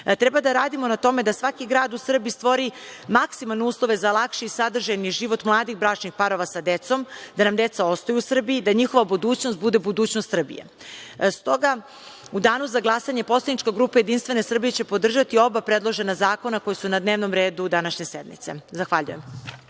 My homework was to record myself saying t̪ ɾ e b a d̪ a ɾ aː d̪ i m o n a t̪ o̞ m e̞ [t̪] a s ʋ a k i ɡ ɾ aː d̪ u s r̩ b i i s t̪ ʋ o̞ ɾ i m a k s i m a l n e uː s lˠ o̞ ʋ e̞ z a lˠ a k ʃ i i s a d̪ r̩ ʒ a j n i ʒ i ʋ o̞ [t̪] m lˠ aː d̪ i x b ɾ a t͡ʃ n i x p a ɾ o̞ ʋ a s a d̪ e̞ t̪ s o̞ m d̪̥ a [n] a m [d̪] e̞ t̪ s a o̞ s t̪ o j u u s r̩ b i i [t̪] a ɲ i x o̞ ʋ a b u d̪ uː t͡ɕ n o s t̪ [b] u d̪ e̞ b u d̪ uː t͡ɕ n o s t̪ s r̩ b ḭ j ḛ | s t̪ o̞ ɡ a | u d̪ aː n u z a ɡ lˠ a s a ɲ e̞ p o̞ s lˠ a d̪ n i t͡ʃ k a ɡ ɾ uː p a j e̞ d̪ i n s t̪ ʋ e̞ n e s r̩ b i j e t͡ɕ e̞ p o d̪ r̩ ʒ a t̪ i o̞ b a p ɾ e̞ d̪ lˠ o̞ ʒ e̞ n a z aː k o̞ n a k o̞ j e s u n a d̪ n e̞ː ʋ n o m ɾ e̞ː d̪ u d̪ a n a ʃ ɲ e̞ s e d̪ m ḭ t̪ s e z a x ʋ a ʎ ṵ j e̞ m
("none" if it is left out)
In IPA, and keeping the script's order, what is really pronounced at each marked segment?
d̪, t̪, n, d̪, d̪, b

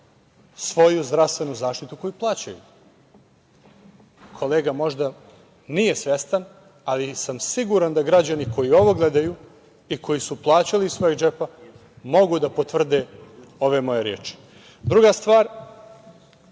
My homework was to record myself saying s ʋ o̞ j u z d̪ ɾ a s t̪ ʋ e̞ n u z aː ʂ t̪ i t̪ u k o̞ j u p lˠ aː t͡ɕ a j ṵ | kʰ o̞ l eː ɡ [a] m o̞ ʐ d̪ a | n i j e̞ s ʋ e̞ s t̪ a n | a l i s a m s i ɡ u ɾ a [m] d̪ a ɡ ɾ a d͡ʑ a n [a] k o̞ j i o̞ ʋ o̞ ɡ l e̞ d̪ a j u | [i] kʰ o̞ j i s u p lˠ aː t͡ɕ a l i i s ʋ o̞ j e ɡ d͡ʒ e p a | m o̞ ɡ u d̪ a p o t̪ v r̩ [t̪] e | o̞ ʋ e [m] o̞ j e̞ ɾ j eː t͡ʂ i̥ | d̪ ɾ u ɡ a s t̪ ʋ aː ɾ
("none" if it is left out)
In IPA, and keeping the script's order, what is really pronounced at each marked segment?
a, n, i, i, d̪, m

